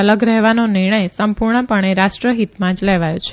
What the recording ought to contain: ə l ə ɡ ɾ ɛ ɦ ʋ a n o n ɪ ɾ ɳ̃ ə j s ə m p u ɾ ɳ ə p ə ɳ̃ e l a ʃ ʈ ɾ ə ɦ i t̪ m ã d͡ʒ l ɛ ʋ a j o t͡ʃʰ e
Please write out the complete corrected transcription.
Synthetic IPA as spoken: ə l ə ɡ ɾ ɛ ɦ ʋ a n o n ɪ ɾ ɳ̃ ə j s ə m p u ɾ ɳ ə p ə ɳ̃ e ɾ a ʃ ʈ ɾ ə ɦ i t̪ m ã d͡ʒ l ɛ ʋ a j o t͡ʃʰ e